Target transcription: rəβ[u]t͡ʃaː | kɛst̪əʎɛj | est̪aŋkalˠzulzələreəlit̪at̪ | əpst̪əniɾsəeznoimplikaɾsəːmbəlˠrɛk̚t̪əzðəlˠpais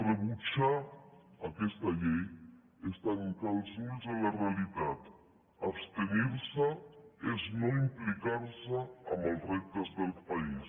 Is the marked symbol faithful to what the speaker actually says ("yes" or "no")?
yes